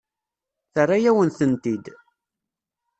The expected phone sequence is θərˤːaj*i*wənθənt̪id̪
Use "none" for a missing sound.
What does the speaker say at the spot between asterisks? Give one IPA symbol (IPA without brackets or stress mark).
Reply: æ